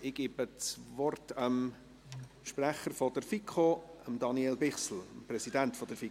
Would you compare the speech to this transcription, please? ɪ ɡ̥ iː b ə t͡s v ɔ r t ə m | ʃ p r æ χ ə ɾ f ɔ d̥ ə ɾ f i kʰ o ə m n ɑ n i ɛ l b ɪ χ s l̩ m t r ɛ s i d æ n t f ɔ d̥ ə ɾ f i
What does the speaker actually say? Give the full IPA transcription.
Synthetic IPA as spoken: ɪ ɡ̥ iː b ə t͡s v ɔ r t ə m | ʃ p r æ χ ə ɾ f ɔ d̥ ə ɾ f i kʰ o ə m d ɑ n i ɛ l b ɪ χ s l̩ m p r ɛ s i d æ n t f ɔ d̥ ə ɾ f i